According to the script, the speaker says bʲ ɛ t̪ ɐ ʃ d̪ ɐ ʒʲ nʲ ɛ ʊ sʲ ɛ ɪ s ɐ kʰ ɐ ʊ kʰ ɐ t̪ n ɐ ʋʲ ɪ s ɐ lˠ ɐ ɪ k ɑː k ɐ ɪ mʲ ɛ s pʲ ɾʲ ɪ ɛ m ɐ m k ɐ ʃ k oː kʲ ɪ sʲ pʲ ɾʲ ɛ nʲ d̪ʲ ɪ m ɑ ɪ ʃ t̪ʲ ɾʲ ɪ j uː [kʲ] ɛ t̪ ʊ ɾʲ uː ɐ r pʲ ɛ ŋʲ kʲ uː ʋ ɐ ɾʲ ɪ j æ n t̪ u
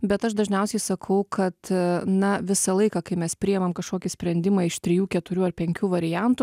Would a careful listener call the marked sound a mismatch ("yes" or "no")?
no